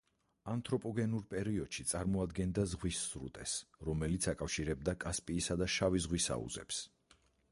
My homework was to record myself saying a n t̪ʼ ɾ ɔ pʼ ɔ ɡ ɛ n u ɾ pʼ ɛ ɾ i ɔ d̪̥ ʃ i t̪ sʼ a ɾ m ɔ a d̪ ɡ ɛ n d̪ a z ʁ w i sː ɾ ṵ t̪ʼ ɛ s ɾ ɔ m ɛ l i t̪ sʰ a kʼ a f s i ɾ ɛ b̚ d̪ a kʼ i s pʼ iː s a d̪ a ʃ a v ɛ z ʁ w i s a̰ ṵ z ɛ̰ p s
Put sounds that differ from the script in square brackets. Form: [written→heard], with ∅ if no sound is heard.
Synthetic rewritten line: a n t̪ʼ ɾ ɔ pʼ ɔ ɡ ɛ n u ɾ pʼ ɛ ɾ i ɔ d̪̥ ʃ i t̪ sʼ a ɾ m ɔ a d̪ ɡ ɛ n d̪ a z ʁ w i sː ɾ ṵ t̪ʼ ɛ s ɾ ɔ m ɛ l i t̪ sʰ a kʼ a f [s→ʃ] i ɾ ɛ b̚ d̪ a kʼ [i→a] s pʼ iː s a d̪ a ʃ a v [ɛ→i] z ʁ w i s a̰ ṵ z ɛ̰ p s